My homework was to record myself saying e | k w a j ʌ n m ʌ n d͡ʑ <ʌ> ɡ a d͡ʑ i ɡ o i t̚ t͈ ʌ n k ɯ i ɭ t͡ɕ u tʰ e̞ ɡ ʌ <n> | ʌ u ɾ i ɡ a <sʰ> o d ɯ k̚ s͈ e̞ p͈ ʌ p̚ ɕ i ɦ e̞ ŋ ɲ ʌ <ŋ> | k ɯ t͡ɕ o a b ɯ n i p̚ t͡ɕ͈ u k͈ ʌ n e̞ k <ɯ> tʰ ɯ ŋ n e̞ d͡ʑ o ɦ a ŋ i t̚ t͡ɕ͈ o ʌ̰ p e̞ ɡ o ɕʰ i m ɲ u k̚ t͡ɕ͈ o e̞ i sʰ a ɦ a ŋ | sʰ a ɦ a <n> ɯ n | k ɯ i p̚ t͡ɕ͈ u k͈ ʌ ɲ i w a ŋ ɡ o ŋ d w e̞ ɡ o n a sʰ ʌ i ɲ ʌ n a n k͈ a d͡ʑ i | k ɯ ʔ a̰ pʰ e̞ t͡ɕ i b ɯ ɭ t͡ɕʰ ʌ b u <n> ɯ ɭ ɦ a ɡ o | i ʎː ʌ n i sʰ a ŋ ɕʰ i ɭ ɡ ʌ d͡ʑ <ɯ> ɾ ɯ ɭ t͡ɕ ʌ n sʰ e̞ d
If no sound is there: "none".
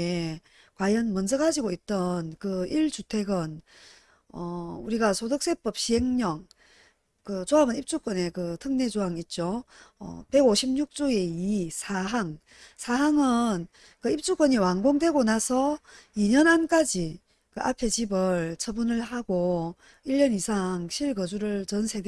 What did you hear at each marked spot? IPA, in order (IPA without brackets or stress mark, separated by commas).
ʌ, n, sʰ, ŋ, ɯ, ŋ, n, u